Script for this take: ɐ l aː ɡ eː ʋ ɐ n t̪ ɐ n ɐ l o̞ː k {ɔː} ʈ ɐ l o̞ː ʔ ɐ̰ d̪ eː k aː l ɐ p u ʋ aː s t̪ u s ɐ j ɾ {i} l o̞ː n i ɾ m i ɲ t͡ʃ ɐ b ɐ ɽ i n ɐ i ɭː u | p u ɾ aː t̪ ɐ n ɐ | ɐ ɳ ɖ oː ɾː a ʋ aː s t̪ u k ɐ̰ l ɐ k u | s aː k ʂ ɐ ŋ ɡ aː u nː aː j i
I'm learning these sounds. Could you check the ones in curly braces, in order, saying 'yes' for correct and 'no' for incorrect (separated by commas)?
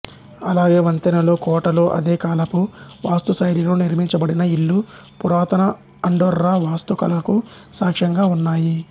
yes, yes